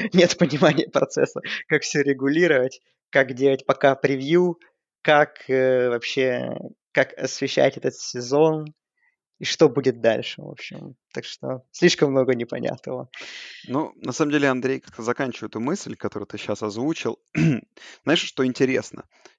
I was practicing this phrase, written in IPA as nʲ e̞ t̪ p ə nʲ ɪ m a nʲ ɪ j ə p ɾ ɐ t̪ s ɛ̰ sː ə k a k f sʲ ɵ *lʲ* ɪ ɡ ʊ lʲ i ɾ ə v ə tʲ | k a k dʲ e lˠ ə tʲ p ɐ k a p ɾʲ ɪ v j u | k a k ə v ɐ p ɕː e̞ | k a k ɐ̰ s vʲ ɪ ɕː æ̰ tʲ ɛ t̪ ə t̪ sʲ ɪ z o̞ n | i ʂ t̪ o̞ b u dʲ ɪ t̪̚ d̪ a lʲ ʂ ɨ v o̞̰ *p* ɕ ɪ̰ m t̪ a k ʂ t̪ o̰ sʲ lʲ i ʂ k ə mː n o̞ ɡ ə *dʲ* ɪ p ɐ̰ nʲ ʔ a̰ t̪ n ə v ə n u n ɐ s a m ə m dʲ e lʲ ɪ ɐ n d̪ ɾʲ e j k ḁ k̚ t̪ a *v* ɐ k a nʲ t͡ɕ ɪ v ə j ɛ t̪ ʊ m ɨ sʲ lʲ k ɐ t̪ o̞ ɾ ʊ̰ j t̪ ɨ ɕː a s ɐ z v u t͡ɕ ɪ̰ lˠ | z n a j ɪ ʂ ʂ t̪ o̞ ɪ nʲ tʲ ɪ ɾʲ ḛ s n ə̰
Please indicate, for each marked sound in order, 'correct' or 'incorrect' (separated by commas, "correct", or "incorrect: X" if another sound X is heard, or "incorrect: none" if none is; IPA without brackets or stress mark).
incorrect: ɾʲ, correct, incorrect: nʲ, incorrect: z